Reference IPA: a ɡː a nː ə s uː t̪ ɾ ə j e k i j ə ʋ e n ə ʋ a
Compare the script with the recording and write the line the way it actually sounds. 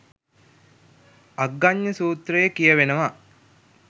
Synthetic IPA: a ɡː a ɲː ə s uː t̪ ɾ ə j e k i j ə ʋ e n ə ʋ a